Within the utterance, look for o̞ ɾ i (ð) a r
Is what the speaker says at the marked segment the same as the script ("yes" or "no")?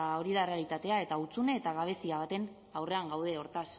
yes